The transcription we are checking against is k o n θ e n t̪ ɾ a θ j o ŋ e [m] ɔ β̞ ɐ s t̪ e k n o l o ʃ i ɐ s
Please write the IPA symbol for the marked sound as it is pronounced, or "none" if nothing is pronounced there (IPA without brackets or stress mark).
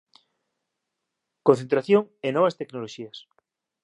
n